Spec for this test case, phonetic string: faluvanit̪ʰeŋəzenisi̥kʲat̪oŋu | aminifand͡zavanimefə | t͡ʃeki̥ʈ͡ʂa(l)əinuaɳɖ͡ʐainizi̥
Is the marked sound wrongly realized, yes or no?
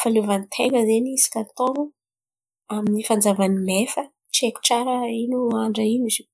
yes